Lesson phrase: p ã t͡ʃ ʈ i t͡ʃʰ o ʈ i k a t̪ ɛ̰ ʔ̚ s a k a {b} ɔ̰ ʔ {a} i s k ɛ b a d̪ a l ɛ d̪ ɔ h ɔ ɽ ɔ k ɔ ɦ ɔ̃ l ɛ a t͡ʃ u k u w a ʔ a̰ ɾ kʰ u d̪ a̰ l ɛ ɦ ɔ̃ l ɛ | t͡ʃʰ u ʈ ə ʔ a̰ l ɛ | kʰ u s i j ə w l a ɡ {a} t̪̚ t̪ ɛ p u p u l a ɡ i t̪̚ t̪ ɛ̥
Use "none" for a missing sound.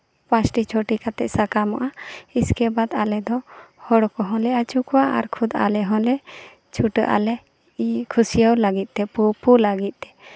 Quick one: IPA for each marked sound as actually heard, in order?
m, a, i

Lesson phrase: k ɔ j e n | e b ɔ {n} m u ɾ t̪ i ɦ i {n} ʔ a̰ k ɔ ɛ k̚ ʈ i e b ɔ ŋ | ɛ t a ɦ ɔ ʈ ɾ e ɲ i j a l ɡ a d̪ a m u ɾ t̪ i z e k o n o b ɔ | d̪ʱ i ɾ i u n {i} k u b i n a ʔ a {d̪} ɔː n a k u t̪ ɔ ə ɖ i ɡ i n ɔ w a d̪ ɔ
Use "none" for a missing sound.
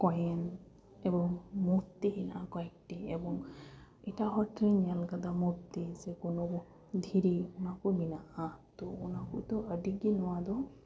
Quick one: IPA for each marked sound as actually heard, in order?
ŋ, n, a, t̪

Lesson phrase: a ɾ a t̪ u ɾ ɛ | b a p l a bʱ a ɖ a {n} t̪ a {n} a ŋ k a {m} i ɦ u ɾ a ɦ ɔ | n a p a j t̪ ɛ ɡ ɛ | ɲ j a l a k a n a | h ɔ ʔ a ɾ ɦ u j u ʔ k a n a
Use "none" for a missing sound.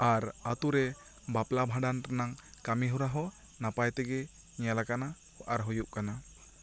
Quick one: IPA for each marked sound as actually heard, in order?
n, n, m

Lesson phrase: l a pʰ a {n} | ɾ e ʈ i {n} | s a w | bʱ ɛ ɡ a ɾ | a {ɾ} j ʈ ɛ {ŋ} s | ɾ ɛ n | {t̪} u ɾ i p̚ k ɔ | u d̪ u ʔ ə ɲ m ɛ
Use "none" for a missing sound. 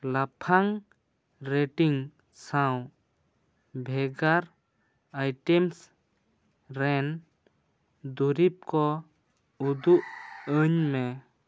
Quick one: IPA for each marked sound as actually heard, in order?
ŋ, ŋ, none, m, d̪

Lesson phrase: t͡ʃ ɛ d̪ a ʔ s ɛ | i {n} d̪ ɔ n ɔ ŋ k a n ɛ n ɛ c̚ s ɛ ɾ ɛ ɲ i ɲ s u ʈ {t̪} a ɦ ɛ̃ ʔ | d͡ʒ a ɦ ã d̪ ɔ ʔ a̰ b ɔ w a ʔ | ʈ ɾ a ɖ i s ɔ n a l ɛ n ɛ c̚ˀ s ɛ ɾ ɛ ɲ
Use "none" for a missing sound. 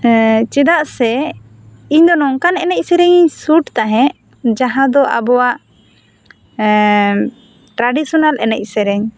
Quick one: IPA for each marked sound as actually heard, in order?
ɲ, t̪

